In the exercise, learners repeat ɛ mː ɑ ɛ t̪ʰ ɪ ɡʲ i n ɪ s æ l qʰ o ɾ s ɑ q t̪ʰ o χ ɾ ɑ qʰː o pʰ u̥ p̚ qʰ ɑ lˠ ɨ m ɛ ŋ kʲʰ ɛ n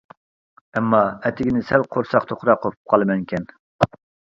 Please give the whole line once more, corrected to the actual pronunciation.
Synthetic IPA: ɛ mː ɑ ɛ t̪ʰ ɪ ɡʲ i n ɪ s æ l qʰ o ɾ s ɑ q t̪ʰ o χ ɾ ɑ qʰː o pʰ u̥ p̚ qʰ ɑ lˠ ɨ m ɛ ŋ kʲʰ ɛ n